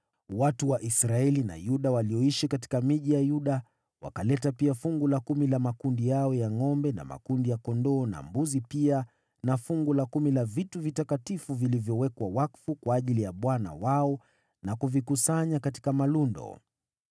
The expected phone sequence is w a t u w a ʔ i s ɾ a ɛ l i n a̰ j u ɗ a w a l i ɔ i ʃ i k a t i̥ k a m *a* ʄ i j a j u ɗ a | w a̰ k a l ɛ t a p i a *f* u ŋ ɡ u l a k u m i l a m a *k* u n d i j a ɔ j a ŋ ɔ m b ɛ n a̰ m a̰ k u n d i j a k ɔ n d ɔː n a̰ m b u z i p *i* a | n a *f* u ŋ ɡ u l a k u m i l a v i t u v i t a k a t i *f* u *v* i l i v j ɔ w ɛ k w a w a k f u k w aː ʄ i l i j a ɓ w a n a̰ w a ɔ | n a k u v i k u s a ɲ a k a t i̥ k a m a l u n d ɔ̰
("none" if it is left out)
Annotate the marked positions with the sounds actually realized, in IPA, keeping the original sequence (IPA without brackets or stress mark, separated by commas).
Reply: i, f, k, i, f, f, v